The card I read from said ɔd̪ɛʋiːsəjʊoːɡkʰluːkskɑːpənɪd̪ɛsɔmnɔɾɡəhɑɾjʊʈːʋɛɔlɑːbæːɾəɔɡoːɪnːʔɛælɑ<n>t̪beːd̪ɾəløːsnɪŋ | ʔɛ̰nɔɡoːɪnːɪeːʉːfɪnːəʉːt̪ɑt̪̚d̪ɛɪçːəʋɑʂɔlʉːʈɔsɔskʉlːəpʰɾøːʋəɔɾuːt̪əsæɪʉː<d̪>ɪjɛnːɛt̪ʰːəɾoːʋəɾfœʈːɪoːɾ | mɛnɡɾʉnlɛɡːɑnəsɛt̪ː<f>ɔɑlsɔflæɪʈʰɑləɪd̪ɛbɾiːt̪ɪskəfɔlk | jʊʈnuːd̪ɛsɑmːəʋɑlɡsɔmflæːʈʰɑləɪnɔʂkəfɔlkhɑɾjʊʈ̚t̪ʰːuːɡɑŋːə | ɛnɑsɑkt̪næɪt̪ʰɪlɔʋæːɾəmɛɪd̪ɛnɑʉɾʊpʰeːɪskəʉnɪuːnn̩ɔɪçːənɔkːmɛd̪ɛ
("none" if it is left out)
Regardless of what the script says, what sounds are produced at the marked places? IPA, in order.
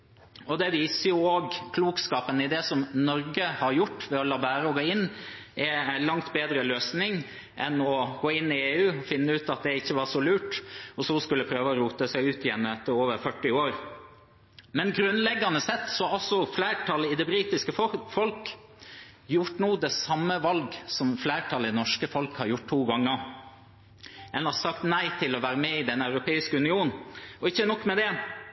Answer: ŋ, t̪, s

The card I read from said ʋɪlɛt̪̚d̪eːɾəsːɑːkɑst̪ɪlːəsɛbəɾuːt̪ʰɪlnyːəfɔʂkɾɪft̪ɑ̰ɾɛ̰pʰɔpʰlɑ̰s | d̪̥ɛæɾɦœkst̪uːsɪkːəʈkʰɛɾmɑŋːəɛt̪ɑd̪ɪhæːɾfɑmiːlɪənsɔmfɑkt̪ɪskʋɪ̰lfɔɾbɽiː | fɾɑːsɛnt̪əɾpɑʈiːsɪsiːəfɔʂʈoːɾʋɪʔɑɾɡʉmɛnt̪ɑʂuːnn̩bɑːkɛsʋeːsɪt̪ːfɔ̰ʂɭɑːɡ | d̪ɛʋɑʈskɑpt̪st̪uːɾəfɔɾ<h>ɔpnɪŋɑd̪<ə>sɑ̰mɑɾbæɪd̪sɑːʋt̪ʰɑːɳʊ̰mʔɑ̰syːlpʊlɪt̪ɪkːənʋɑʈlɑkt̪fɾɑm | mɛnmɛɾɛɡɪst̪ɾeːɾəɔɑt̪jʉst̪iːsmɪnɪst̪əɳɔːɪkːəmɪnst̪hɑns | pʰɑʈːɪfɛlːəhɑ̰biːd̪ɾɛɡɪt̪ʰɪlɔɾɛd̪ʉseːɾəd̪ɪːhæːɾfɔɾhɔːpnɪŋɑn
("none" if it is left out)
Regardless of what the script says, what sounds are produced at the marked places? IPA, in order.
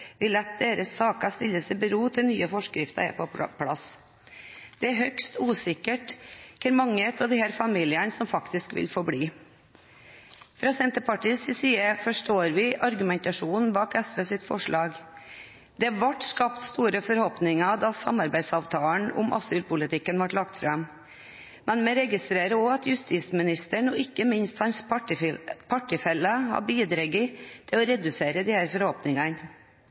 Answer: h, ɑ

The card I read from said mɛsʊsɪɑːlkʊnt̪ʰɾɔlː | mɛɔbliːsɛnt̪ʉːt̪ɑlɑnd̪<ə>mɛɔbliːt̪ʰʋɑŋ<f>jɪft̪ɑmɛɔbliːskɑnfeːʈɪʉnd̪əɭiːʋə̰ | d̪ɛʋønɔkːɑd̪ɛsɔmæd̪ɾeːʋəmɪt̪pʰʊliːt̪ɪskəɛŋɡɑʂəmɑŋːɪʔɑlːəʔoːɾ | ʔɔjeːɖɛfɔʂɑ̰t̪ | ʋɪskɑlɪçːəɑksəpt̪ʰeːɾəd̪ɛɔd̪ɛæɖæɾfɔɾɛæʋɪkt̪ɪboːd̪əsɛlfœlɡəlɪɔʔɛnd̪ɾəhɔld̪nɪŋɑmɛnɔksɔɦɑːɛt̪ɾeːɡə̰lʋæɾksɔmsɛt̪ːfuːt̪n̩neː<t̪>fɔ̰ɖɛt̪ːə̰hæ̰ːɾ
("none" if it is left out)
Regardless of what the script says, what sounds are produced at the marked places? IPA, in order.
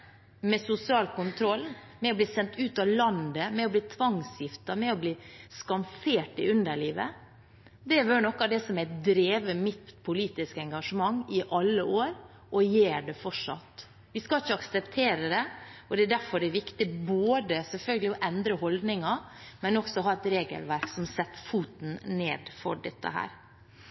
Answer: ə, s, d̪

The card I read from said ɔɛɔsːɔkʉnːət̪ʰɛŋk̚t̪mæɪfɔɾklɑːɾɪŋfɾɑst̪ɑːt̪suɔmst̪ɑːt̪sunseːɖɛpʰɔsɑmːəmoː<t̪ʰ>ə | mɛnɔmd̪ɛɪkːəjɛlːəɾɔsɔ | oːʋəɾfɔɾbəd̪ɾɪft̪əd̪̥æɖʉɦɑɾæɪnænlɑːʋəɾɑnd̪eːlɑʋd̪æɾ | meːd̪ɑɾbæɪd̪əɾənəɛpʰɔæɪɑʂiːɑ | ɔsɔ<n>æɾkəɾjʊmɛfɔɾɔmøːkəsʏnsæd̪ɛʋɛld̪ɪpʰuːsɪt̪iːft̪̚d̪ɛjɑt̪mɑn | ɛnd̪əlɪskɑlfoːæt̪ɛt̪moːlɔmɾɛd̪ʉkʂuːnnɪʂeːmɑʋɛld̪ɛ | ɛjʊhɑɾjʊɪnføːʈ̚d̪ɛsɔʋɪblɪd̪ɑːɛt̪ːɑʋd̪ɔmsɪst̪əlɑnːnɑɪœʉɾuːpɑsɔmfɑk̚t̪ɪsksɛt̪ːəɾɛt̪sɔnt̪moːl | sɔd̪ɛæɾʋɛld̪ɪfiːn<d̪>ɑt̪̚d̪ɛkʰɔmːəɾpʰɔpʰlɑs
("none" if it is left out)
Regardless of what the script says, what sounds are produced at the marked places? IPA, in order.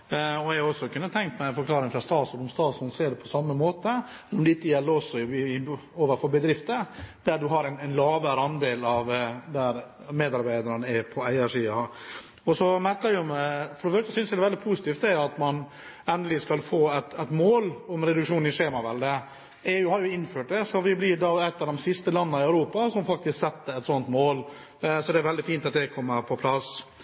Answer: t̪, m, t̪

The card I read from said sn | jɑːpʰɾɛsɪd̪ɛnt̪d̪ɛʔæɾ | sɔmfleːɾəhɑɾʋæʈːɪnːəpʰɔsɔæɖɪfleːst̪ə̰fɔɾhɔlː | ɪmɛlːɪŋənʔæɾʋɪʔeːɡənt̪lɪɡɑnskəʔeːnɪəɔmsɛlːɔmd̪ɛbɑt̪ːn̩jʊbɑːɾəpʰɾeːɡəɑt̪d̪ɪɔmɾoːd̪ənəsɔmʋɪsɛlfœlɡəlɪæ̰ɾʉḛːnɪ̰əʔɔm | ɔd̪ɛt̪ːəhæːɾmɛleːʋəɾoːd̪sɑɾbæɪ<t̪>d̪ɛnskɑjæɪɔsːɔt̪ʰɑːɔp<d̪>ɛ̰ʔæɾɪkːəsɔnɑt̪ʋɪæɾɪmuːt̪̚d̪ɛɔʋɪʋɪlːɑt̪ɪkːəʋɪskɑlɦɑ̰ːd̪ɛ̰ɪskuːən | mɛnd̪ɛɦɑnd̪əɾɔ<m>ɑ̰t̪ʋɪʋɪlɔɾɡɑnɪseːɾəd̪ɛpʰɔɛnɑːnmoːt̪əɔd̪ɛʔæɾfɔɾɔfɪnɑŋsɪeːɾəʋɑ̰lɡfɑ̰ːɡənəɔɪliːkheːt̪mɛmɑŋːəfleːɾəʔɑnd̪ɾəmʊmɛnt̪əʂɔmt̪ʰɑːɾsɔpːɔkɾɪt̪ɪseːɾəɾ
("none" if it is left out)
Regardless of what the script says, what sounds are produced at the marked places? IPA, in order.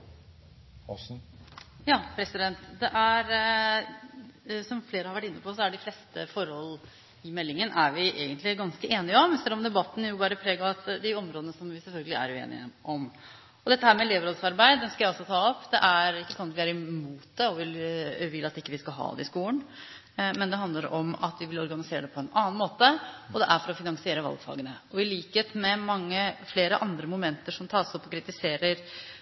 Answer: d̪, d̪, m

